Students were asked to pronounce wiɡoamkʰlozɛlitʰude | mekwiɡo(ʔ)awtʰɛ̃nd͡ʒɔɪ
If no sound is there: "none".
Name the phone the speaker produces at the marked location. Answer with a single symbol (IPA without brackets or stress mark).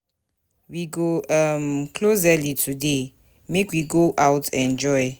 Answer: ʔ